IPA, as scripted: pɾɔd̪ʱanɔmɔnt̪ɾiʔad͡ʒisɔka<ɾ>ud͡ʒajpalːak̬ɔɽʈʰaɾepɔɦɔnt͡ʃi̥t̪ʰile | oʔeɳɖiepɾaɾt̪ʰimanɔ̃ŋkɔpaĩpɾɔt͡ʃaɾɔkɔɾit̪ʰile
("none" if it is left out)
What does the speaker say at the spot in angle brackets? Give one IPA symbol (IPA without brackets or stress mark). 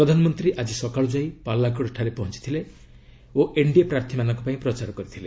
ɭ